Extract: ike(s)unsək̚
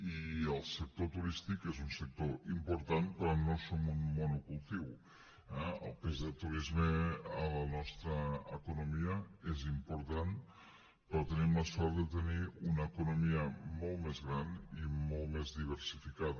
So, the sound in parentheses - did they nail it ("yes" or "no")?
no